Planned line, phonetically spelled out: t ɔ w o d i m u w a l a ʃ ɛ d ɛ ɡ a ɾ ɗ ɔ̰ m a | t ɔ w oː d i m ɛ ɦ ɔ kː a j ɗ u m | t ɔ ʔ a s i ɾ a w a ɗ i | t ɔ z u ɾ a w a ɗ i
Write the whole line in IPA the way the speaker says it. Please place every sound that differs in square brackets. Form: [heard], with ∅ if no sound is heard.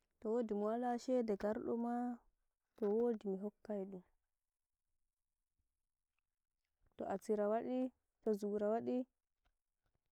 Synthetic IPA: t ɔ w o d i m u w a l a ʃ ɛ d ɛ ɡ a ɾ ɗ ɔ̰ m a | t ɔ w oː d i m [i] ɦ ɔ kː a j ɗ u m | t ɔ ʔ a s i ɾ a w a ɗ i | t ɔ z u ɾ a w a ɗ i